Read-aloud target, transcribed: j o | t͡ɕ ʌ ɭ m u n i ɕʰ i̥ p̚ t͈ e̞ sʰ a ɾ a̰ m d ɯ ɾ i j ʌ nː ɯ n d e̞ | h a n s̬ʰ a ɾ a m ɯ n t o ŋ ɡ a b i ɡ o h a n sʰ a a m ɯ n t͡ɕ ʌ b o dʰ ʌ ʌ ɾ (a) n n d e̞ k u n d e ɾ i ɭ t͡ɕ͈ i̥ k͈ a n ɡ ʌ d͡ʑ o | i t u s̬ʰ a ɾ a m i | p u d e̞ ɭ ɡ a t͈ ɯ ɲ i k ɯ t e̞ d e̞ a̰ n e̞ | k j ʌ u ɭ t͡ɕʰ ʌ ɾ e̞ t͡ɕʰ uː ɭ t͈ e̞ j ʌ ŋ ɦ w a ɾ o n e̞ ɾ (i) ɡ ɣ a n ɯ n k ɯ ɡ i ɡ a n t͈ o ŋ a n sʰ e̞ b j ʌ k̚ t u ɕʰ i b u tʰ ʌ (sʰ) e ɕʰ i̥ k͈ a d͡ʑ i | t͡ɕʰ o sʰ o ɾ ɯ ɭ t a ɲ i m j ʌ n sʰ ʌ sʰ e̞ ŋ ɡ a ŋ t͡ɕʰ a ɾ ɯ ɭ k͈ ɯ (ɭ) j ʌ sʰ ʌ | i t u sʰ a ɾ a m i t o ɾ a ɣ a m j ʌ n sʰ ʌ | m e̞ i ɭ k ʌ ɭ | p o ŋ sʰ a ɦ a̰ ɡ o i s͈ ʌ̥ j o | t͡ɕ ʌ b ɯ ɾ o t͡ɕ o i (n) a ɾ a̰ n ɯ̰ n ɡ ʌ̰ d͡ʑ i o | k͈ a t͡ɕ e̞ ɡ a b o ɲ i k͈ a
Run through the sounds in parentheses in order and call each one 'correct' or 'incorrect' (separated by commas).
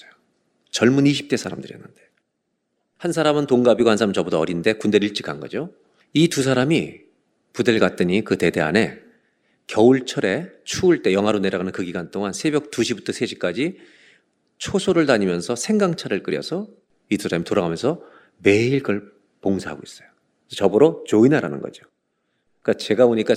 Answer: incorrect, incorrect, correct, incorrect, correct